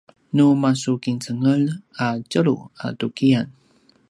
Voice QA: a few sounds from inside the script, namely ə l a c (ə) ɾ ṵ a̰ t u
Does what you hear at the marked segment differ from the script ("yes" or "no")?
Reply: no